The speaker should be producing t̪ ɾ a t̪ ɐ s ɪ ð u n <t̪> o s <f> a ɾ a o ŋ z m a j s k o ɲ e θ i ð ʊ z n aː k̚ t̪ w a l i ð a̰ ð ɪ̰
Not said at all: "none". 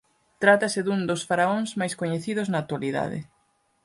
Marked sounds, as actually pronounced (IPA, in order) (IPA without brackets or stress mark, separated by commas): d̪, f